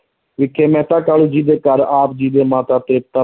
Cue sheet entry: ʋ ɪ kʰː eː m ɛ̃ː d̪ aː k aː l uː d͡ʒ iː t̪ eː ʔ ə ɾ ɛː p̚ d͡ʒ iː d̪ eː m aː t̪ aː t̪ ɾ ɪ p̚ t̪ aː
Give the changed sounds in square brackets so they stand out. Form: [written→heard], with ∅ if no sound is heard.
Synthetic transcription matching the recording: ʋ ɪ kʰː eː m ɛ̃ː [d̪→t̪] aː k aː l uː d͡ʒ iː [t̪→d̪] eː [ʔ→k] ə ɾ [ɛː→aː] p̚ d͡ʒ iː d̪ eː m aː t̪ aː t̪ ɾ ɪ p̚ t̪ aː

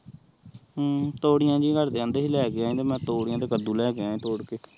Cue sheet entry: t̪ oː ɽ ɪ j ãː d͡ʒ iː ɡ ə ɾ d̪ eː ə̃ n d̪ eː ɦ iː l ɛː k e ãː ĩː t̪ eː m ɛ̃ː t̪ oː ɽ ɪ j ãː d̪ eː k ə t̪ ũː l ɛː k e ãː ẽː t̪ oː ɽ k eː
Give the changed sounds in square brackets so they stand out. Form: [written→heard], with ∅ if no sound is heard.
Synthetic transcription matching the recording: t̪ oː ɽ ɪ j ãː d͡ʒ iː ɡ ə ɾ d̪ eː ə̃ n d̪ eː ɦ iː l ɛː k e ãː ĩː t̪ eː m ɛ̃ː t̪ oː ɽ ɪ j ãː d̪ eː k ə [t̪→d̪] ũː l ɛː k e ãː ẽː t̪ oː ɽ k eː

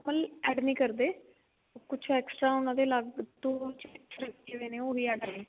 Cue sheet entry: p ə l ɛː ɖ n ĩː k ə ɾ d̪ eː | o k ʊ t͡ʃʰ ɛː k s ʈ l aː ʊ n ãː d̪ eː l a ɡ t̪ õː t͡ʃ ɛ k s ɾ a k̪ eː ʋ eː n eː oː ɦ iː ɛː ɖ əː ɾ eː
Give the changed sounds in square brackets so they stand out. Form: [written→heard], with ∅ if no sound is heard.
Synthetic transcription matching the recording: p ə l ɛː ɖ n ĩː k ə ɾ d̪ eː | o k ʊ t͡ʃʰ ɛː k s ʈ [l→ɾ] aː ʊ n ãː d̪ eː l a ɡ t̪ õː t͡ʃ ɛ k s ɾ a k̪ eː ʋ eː n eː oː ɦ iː ɛː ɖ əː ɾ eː

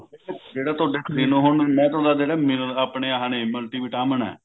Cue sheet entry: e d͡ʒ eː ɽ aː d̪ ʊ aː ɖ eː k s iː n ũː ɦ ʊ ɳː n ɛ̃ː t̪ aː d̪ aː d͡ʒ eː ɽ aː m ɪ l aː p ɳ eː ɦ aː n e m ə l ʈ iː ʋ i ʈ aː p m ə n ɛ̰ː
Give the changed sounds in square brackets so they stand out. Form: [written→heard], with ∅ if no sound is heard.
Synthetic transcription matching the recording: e d͡ʒ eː ɽ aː [d̪→t̪] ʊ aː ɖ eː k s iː n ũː ɦ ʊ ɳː [n→m] ɛ̃ː t̪ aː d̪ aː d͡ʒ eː ɽ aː m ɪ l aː p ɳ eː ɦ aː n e m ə l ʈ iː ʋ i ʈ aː [p→∅] m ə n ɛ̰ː

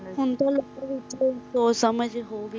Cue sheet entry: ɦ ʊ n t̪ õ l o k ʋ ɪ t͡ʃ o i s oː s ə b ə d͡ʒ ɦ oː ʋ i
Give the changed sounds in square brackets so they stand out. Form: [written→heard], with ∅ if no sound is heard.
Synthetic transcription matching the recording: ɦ ʊ n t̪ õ l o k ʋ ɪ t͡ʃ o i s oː s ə [b→m] ə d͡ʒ ɦ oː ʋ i

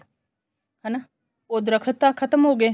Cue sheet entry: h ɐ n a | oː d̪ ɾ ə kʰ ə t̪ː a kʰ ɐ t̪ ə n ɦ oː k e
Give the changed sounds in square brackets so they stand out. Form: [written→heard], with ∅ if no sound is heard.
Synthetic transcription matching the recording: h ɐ n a | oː d̪ ɾ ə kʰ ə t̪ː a kʰ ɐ t̪ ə [n→m] ɦ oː [k→ɡ] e

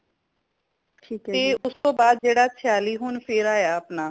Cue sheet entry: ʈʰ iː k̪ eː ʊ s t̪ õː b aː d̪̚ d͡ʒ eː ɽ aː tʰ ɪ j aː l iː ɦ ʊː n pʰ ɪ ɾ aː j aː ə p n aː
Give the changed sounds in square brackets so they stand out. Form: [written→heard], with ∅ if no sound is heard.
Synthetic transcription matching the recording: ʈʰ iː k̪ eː ʊ s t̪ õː b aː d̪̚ d͡ʒ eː ɽ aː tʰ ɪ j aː l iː ɦ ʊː n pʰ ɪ ɾ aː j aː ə p n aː

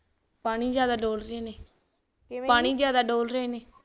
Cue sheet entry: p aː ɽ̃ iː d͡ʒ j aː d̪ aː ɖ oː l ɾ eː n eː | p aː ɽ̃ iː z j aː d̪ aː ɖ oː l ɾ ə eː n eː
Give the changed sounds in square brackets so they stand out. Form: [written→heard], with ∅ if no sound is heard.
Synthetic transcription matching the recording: p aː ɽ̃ iː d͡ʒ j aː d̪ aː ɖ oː l ɾ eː n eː | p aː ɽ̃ iː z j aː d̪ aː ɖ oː l ɾ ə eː n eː

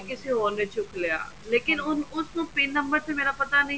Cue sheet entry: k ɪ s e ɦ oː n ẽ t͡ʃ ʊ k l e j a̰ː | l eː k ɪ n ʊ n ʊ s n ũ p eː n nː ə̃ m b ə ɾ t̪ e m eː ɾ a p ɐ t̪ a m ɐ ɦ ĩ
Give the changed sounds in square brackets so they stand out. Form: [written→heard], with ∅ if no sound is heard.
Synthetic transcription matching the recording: k ɪ s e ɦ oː n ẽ t͡ʃ ʊ k l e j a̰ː | l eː k ɪ n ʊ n ʊ s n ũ p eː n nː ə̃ m b ə ɾ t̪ e m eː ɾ a p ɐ t̪ a [m→n] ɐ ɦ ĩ

